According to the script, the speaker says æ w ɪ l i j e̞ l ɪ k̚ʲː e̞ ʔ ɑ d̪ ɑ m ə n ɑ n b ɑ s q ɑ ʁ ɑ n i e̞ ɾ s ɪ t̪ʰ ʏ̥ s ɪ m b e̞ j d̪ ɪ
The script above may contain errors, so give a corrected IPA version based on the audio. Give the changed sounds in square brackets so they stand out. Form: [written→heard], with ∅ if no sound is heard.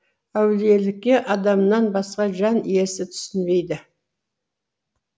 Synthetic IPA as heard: æ w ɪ l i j e̞ l ɪ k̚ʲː e̞ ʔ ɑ d̪ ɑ m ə n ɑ n b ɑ s q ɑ [ʁ→ʒ] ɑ n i e̞ ɾ s ɪ t̪ʰ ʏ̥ s ɪ [m→n] b e̞ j d̪ ɪ